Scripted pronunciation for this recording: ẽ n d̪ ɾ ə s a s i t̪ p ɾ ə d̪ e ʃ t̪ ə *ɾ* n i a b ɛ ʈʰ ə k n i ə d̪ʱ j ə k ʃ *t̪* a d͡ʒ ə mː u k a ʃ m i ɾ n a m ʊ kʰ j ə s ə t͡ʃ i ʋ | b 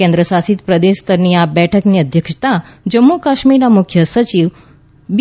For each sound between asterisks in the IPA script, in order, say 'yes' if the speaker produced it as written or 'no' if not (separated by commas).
yes, yes